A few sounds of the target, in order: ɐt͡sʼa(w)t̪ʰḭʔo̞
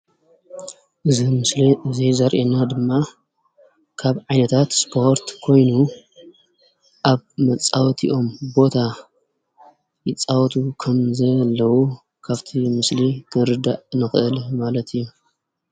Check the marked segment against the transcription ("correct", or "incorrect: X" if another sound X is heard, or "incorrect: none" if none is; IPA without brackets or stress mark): correct